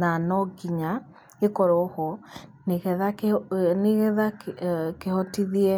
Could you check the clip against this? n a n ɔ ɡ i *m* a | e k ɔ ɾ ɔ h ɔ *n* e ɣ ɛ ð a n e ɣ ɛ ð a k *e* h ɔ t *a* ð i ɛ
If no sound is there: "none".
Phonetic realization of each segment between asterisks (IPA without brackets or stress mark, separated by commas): ɲ, n, e, i